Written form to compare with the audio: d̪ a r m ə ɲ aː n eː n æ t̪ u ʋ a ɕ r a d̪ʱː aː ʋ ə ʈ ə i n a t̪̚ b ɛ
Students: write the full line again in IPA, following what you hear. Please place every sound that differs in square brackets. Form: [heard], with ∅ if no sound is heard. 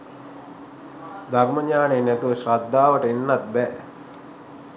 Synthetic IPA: d̪ a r m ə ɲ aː n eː n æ t̪ u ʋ [ə] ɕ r a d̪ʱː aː ʋ ə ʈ ə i [nː] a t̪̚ b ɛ